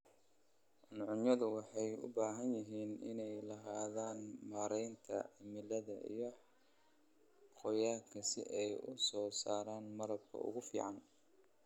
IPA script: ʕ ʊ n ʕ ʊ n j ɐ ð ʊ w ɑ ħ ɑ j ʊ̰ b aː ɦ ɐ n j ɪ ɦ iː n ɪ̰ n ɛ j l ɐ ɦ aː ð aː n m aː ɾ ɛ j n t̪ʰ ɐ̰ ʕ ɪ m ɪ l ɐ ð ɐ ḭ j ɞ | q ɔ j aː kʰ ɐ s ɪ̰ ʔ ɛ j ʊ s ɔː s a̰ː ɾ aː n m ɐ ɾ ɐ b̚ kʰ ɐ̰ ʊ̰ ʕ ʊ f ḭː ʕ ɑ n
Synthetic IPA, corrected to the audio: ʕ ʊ n ʕ ʊ n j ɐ ð ʊ w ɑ ħ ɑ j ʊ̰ b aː ɦ ɐ n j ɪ ɦ iː n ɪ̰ n ɛ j l ɐ ɦ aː ð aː n m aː ɾ ɛ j n t̪ʰ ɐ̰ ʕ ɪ m ɪ l ɐ ð ɐ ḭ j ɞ | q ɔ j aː kʰ ɐ s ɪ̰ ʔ ɛ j ʊ s ɔː s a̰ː ɾ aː n m ɐ ɾ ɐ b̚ kʰ ɐ̰ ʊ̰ ɣ ʊ f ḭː ʕ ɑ n